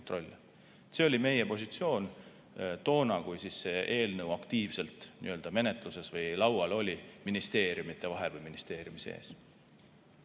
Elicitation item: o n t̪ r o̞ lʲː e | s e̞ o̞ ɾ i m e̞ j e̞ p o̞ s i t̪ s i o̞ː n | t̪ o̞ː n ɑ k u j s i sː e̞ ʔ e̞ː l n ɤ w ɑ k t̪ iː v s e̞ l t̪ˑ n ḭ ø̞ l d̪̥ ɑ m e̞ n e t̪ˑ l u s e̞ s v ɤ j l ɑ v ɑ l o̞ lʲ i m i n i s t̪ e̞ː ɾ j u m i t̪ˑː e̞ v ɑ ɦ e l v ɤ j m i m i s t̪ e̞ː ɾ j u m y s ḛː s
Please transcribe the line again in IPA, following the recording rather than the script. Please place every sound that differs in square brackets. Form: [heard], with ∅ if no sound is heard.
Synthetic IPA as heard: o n t̪ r o̞ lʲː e | s e̞ o̞ [l] i m e̞ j e̞ p o̞ s i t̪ s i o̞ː n | t̪ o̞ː n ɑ k u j s i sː e̞ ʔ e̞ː l n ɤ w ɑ k t̪ iː v s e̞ l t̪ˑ n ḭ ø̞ l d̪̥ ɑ m e̞ n e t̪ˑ l u s e̞ s v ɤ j l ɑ [w] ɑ l o̞ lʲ i m i n i s t̪ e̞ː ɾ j u m i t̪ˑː e̞ v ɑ ɦ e l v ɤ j m i [n] i s t̪ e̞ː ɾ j u m [i] s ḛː s